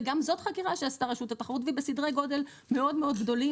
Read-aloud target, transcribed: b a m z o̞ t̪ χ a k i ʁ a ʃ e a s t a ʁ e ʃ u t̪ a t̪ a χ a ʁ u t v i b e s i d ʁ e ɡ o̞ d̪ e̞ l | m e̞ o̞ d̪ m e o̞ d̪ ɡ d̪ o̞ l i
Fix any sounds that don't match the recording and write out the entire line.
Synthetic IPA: ɡ a m z o̞ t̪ χ a k i ʁ a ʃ e a s t a ʁ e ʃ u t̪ a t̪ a χ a ʁ u t v i b e s i d ʁ e ɡ o̞ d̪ e̞ l | m e̞ o̞ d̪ m e o̞ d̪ ɡ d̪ o̞ l i